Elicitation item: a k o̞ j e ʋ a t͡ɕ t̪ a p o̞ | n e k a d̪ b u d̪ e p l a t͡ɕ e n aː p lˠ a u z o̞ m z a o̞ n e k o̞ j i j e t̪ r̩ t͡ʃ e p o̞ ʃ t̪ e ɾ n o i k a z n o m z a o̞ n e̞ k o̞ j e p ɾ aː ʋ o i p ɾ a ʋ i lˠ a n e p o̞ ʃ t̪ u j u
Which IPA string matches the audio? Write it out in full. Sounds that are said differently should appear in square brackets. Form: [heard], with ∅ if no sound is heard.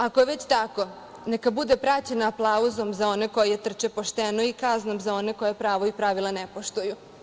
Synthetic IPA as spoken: a k o̞ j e ʋ [e] t͡ɕ t̪ a [k] o̞ | n e k a [∅] b u d̪ e p [ɾ] a t͡ɕ e n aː p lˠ a u z o̞ m z a o̞ n e k o̞ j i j e t̪ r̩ t͡ʃ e p o̞ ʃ t̪ e [∅] n o i k a z n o m z a o̞ n e̞ k o̞ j e p ɾ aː ʋ o i p ɾ a ʋ i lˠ a n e p o̞ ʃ t̪ u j u

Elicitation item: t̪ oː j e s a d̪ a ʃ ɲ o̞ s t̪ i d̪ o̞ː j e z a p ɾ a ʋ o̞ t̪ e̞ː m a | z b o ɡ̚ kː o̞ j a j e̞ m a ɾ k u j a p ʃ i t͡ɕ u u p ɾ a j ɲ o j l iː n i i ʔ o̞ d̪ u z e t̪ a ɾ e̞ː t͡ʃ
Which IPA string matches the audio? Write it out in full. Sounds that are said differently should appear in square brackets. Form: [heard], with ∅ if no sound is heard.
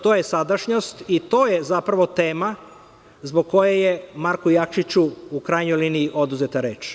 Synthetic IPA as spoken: t̪ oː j e s a d̪ a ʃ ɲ o̞ s t̪ i [t̪] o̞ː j e z a p ɾ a ʋ o̞ t̪ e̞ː m a | z b o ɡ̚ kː o̞ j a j e̞ m a ɾ k u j a [k] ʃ i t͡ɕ u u [k] ɾ a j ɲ o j l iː n i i ʔ o̞ d̪ u z e t̪ a ɾ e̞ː t͡ʃ

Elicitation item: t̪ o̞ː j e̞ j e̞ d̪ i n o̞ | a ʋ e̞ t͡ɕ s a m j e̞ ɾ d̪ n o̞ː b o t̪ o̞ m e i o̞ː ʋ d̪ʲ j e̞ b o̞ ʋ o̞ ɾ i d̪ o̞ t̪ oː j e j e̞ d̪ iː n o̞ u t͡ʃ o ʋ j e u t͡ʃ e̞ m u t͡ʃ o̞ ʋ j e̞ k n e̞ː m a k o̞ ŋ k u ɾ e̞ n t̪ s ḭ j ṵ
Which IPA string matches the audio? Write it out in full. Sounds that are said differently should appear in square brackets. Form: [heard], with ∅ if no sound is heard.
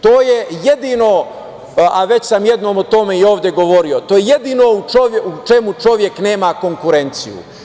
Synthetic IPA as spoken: t̪ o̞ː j e̞ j e̞ d̪ i n o̞ | a ʋ e̞ t͡ɕ s a m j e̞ [∅] d̪ n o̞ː [m] o t̪ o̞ m e i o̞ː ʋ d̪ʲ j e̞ [ɡ] o̞ ʋ o̞ ɾ i [∅] o̞ t̪ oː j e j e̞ d̪ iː n o̞ u t͡ʃ o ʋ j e u t͡ʃ e̞ m u t͡ʃ o̞ ʋ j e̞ k n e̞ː m a k o̞ ŋ k u ɾ e̞ n t̪ s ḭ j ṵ

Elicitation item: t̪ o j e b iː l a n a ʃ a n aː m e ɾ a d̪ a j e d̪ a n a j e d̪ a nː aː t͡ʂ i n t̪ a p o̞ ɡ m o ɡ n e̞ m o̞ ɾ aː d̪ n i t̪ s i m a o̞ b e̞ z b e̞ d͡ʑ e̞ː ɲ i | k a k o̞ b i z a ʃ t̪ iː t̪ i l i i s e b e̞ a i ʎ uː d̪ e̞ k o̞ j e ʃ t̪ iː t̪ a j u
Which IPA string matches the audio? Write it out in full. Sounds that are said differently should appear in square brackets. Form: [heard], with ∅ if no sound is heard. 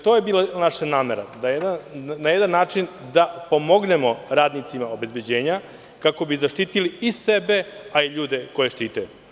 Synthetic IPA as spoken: t̪ o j e b iː l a n a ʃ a n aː m e ɾ a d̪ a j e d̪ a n a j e d̪ a nː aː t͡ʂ i n [d̪] a p o̞ [∅] m o ɡ n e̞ m o̞ ɾ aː d̪ n i t̪ s i m a o̞ b e̞ z b e̞ d͡ʑ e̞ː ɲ [a] | k a k o̞ b i z a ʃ t̪ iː t̪ i l i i s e b e̞ a i ʎ uː d̪ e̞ k o̞ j e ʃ t̪ iː t̪ a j u

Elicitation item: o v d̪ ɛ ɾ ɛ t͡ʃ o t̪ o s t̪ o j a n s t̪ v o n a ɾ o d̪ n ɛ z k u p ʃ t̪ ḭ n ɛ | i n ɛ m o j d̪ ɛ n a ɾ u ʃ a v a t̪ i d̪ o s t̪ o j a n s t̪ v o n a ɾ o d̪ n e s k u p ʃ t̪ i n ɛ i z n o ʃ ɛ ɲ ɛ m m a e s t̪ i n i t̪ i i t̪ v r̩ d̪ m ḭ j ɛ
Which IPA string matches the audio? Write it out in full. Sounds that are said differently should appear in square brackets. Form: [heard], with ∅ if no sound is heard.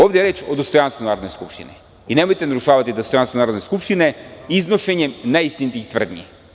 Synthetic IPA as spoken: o v d̪ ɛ ɾ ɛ t͡ʃ o [d̪] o s t̪ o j a n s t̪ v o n a ɾ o d̪ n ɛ [s] k u p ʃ t̪ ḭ n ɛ | i n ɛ m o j [t̪] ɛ n a ɾ u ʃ a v a t̪ i d̪ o s t̪ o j a n s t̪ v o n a ɾ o d̪ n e s k u p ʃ t̪ i n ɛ i z n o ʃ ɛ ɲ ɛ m [n] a [i] s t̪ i n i t̪ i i t̪ v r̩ d̪ [n] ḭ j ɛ

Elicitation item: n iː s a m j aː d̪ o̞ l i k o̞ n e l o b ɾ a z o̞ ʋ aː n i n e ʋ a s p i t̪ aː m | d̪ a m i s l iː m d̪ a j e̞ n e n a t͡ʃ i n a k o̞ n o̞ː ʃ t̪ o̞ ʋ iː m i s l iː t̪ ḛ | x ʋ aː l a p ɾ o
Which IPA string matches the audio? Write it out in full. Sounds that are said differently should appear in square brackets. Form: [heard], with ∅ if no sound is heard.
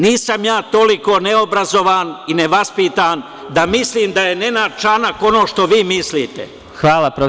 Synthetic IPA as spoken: n iː s a m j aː [t̪] o̞ l i k o̞ n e [∅] o b ɾ a z o̞ ʋ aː n i n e ʋ a s p i t̪ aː [n] | d̪ a m i s l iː m d̪ a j e̞ n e n a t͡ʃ [a] n a k o̞ n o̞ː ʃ t̪ o̞ ʋ iː m i s l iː t̪ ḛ | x ʋ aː l a p ɾ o

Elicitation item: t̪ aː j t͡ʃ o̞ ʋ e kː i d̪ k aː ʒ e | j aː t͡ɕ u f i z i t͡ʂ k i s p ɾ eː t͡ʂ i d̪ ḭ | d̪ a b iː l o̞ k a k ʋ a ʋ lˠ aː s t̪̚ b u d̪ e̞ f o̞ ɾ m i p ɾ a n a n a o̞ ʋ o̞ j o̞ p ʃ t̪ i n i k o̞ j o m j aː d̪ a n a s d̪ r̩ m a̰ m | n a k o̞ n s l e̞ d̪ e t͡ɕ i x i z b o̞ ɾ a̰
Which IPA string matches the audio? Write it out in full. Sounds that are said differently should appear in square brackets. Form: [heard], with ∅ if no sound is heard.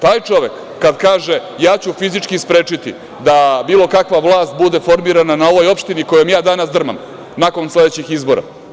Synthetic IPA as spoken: t̪ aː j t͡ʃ o̞ ʋ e kː [a] d̪ k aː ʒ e | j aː t͡ɕ u f i z i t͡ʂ k i s p ɾ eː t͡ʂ i [t̪] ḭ | d̪ a b iː l o̞ k a k ʋ a ʋ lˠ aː s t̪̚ b u d̪ e̞ f o̞ ɾ m i [∅] ɾ a n a n a o̞ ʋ o̞ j o̞ p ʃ t̪ i n i k o̞ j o m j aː d̪ a n a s d̪ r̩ m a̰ m | n a k o̞ n s l e̞ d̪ e t͡ɕ i x i z b o̞ ɾ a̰

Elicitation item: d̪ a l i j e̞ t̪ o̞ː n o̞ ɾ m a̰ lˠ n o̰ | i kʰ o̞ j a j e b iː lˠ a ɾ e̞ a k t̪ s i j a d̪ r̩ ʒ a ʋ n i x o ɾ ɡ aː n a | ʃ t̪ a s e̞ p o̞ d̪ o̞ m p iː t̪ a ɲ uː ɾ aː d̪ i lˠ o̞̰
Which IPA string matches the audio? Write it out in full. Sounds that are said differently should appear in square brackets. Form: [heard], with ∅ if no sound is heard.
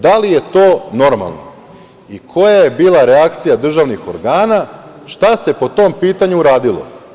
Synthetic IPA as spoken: d̪ a l i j e̞ t̪ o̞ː n o̞ ɾ m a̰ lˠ n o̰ | i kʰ o̞ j a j e b iː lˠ a ɾ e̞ a k t̪ s i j a d̪ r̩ ʒ a ʋ n i x o ɾ ɡ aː n a | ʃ t̪ a s e̞ p o̞ [t̪] o̞ m p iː t̪ a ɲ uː ɾ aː d̪ i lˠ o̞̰

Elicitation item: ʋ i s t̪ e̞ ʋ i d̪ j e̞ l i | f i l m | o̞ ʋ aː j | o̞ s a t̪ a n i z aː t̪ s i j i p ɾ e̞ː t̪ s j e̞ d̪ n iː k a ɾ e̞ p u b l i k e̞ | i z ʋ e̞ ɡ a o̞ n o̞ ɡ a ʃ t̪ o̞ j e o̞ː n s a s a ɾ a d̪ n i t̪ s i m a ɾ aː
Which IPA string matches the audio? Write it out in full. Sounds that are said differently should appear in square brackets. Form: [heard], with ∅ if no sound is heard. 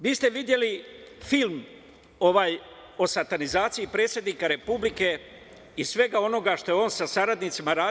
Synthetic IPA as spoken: ʋ [iː] s t̪ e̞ ʋ i d̪ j e̞ l i | f i l m | o̞ ʋ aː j | o̞ s a t̪ a n i z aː t̪ s i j i p ɾ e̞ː t̪ s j e̞ d̪ n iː k a ɾ e̞ p u b l i k e̞ | i [s] ʋ e̞ ɡ a o̞ n o̞ ɡ a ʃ t̪ o̞ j e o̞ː n s a s a ɾ a d̪ n i t̪ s i m a ɾ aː

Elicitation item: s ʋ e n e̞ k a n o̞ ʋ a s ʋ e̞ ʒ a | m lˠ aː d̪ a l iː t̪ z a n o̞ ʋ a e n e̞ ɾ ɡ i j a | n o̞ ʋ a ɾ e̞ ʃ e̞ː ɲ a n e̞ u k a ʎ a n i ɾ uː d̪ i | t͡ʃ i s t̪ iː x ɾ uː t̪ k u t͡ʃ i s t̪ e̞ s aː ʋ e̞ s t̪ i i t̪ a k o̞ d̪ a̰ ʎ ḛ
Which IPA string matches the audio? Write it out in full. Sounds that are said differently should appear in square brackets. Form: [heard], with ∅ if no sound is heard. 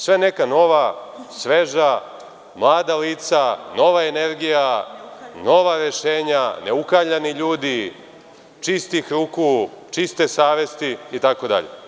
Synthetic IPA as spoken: s ʋ e n e̞ k a n o̞ ʋ a s ʋ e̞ ʒ a | m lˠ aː d̪ a l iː t̪ [s] a n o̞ ʋ a e n e̞ ɾ ɡ i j a | n o̞ ʋ a ɾ e̞ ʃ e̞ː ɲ a n e̞ u k a ʎ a n i [ʎ] uː d̪ i | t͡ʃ i s t̪ [i] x ɾ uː [∅] k u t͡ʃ i s t̪ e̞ s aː ʋ e̞ s t̪ i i t̪ a k o̞ d̪ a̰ ʎ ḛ

